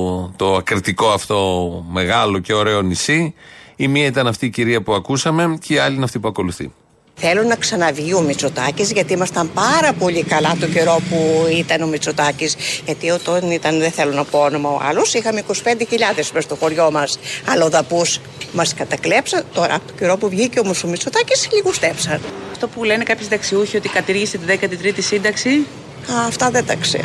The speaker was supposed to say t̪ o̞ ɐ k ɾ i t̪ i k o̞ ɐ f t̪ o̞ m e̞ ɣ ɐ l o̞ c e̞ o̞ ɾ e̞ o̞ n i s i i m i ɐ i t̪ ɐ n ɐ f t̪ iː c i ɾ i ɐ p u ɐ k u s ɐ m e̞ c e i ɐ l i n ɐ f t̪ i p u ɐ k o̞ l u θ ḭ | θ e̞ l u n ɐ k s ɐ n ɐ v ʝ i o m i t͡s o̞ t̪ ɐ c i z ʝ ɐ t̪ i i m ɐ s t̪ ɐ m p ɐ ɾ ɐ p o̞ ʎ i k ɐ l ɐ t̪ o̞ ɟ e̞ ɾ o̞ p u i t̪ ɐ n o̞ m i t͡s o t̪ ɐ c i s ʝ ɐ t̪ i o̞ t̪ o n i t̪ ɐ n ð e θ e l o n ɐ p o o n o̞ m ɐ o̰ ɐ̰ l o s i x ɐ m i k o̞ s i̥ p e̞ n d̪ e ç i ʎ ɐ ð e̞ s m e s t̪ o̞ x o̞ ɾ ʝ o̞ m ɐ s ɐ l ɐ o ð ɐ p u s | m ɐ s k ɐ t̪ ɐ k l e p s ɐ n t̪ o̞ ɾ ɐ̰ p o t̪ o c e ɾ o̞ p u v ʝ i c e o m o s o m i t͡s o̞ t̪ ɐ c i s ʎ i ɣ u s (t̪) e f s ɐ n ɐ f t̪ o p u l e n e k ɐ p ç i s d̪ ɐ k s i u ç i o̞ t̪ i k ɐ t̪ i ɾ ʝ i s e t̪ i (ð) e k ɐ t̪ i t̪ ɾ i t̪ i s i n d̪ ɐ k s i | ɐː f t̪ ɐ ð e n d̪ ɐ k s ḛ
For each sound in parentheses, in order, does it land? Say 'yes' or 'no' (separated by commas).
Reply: yes, yes